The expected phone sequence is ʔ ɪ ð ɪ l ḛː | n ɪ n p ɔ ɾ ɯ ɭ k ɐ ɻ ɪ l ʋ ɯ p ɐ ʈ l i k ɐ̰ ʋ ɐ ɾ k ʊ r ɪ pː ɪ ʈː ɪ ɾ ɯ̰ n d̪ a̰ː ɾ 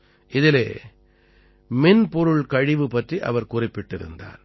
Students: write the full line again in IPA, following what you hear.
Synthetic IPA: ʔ ɪ ð ɪ l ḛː | m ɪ n p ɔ ɾ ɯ ɭ k ɐ ɻ ɪ ʋ ɯ p ɐ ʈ r i ʔ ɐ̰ ʋ ɐ ɾ k ʊ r ɪ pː ɪ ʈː ɪ ɾ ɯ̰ n d̪ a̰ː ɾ